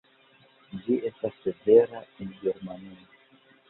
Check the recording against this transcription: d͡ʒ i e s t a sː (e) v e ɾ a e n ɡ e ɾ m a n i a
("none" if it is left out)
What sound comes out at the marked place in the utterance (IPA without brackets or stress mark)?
e